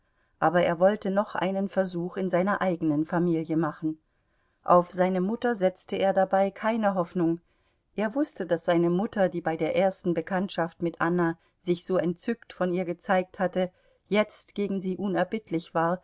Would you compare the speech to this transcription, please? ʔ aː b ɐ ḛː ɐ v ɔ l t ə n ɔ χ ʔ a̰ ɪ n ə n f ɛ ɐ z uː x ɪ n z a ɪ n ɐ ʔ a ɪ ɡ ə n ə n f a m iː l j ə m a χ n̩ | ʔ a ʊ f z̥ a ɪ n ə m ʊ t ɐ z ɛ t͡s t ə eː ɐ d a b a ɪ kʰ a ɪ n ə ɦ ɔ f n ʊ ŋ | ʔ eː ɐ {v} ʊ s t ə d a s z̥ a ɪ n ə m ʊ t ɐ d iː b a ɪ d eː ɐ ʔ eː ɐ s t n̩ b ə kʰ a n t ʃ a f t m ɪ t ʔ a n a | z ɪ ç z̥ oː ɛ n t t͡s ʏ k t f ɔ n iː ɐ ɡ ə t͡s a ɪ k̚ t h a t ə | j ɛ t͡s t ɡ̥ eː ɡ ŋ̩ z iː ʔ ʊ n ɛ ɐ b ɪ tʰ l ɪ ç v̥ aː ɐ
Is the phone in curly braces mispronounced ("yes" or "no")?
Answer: no